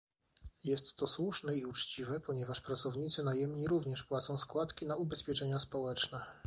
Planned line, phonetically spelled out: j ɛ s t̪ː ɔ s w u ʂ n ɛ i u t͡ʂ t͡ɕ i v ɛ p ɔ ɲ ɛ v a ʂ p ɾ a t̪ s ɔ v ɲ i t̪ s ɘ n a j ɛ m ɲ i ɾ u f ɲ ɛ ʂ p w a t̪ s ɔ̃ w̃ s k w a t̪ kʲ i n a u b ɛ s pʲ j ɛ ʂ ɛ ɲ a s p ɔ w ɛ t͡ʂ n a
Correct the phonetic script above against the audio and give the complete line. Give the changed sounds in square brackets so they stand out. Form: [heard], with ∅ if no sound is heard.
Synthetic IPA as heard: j ɛ s t̪ː ɔ s w u ʂ n ɛ i u t͡ʂ t͡ɕ i v ɛ p ɔ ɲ ɛ v a ʂ p ɾ a t̪ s ɔ v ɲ i t̪ s ɘ n a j ɛ m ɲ i ɾ u [v] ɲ ɛ ʂ p w a t̪ s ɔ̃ w̃ s k w a t̪ kʲ i n a u b ɛ s pʲ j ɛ [t͡ʂ] ɛ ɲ a s p ɔ w ɛ t͡ʂ n [ɛ]